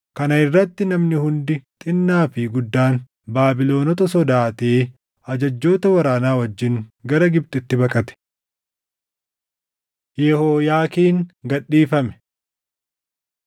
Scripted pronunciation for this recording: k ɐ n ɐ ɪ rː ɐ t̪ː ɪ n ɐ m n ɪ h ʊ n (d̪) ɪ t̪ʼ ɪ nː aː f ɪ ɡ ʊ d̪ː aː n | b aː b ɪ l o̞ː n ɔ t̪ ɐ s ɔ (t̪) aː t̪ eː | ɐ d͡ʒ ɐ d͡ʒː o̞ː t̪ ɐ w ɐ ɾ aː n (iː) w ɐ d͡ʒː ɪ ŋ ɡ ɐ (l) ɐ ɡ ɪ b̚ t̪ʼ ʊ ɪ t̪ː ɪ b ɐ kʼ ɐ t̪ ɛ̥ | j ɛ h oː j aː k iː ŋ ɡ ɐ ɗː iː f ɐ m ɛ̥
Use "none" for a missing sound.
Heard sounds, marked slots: d̪, d̪, aː, ɾ

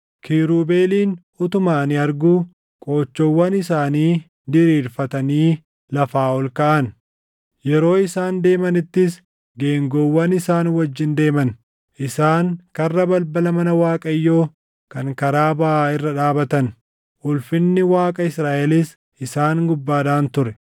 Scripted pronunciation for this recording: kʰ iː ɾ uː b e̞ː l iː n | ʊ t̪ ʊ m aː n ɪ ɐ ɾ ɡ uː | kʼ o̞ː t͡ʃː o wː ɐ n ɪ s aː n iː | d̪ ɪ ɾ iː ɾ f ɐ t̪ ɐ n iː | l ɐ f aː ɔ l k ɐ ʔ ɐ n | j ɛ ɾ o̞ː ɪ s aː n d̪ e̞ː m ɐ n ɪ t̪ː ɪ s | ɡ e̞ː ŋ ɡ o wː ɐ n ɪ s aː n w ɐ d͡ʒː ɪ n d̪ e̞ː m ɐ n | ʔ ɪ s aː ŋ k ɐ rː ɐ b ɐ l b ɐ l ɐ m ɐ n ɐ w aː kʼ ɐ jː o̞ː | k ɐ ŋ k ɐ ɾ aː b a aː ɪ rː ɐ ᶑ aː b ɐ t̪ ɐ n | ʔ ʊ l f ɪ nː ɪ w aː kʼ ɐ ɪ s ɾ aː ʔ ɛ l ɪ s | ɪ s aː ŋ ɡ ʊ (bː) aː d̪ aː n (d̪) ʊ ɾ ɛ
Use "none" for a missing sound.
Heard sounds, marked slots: bː, t̪

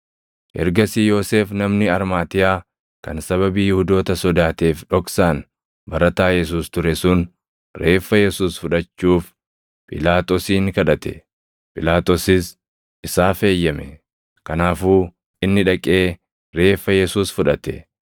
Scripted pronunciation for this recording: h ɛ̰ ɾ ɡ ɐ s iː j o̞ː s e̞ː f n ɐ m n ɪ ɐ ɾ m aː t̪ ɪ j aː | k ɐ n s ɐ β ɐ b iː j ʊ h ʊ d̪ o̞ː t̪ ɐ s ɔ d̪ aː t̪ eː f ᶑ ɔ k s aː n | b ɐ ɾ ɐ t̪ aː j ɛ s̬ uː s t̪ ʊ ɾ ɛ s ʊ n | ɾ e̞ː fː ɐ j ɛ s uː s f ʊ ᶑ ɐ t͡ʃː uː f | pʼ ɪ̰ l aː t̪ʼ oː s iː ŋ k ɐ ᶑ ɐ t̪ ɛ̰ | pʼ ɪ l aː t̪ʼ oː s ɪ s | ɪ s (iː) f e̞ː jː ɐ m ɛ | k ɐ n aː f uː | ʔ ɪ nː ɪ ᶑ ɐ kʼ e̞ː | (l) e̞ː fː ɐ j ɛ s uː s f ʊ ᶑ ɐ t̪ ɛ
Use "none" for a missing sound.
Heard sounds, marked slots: aː, ɾ

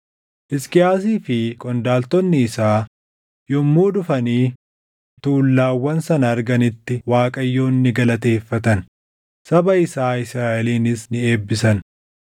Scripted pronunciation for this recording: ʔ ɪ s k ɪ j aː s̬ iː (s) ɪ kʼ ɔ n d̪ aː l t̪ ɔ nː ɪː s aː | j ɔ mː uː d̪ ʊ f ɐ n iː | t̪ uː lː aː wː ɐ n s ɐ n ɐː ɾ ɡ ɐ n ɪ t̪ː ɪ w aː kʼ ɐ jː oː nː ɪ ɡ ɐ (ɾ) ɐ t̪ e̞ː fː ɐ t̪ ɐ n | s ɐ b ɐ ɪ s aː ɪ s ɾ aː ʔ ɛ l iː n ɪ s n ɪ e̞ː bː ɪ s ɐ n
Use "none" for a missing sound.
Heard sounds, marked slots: f, l

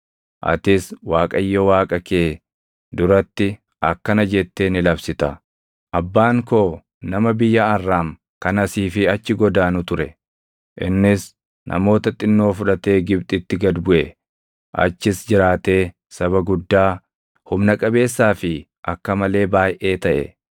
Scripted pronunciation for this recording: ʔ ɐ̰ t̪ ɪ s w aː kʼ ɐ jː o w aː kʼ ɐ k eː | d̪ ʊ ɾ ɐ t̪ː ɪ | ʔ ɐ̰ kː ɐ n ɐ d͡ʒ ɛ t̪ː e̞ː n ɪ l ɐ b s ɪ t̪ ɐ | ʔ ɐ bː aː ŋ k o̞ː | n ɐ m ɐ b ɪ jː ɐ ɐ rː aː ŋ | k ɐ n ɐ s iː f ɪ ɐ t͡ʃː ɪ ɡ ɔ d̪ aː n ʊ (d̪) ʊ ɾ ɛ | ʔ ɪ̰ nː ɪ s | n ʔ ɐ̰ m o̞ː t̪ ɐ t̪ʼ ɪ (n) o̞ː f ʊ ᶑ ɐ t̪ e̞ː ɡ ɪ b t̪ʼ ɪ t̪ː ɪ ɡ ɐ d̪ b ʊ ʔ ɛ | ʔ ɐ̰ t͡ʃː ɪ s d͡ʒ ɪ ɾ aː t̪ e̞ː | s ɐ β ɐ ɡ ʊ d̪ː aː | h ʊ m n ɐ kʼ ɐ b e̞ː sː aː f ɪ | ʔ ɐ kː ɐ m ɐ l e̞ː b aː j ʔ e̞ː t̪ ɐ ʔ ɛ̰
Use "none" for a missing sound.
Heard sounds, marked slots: t̪, nː

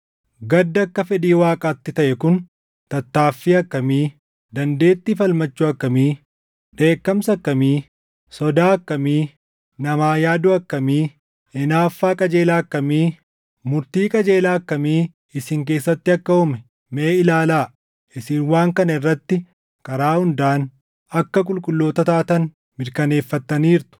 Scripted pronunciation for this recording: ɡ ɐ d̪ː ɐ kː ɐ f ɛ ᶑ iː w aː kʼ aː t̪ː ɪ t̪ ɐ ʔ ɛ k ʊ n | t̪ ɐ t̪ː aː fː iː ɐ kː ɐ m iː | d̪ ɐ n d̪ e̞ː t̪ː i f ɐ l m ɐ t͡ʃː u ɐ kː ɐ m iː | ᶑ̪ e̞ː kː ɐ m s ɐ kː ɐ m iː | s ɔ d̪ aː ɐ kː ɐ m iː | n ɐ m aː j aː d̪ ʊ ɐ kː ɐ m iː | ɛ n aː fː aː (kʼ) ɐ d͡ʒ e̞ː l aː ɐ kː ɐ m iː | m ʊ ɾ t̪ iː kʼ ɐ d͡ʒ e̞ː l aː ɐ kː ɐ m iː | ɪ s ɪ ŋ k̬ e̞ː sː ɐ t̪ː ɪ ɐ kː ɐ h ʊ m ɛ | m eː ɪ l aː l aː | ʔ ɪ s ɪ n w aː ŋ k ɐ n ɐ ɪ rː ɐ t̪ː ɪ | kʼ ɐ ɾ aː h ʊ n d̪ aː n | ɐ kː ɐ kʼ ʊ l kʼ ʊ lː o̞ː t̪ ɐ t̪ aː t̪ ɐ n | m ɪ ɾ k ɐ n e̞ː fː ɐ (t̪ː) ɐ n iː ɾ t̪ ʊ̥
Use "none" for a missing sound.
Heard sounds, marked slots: kʼ, t̪ː

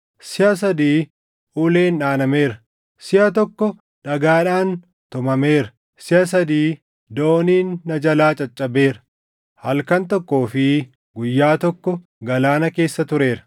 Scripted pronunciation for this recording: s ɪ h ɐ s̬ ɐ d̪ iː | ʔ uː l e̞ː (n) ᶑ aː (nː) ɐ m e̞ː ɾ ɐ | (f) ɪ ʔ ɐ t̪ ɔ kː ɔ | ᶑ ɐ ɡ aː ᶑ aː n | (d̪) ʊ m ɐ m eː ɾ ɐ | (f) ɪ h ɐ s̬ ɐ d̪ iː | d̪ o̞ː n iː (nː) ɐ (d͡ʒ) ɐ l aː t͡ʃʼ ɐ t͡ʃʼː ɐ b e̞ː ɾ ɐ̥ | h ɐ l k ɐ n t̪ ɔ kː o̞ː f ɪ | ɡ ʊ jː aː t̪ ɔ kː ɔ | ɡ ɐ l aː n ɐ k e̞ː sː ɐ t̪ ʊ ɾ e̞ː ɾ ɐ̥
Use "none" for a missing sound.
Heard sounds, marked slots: n, n, s, t̪, s, nː, d͡ʒ

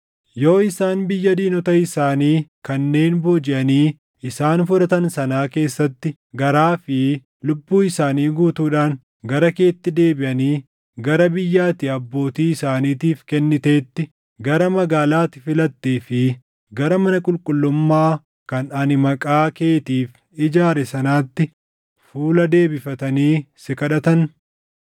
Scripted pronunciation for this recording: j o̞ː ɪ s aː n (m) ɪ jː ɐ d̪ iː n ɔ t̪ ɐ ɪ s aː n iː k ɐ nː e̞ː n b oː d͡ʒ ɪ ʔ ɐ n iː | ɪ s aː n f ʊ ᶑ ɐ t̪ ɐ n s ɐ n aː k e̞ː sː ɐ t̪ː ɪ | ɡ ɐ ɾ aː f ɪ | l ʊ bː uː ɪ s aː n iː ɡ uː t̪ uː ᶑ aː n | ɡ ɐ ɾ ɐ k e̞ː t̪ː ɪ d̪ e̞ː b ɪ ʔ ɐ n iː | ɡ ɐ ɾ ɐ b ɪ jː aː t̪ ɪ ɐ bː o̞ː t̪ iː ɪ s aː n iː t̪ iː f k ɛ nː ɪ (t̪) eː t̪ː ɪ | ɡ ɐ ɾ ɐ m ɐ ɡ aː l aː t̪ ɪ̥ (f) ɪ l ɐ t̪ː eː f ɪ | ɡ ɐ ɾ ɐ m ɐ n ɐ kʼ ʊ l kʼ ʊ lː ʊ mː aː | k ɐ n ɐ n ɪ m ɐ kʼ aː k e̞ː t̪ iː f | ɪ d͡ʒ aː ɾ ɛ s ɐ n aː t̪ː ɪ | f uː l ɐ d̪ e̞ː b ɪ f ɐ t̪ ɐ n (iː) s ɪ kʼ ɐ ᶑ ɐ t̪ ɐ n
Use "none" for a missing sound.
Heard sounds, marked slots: b, t̪, f, iː

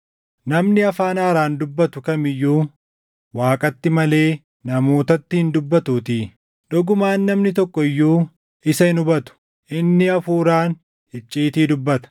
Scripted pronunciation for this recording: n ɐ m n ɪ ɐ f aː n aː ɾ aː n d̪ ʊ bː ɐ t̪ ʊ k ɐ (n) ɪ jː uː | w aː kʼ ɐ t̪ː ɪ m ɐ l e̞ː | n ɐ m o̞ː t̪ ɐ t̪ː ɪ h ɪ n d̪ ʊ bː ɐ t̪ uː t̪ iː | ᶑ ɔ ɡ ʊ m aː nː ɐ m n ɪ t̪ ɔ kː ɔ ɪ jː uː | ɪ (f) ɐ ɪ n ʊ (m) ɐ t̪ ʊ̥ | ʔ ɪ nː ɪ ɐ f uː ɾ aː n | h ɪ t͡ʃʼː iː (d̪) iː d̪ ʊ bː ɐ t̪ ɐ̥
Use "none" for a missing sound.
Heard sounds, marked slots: m, s, b, t̪

